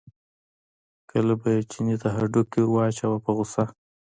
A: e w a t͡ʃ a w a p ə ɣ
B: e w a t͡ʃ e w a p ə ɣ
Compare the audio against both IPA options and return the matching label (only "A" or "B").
A